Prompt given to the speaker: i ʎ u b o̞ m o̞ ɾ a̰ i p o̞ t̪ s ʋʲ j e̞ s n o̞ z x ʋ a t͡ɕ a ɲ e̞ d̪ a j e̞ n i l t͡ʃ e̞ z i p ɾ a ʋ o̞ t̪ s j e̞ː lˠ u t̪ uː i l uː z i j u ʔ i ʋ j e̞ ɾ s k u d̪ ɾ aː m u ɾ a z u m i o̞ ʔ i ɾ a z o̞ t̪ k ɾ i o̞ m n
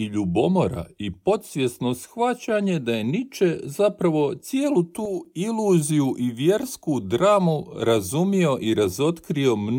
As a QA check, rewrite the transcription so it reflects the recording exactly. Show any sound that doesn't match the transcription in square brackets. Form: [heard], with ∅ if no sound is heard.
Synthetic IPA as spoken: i ʎ u b o̞ m o̞ ɾ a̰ i p o̞ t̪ s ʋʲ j e̞ s n o̞ [s] x ʋ a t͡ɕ a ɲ e̞ d̪ a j e̞ n i [∅] t͡ʃ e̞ z [a] p ɾ a ʋ o̞ t̪ s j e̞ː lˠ u t̪ uː i l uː z i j u ʔ i ʋ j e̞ ɾ s k u d̪ ɾ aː m u ɾ a z u m i o̞ ʔ i ɾ a z o̞ t̪ k ɾ i o̞ m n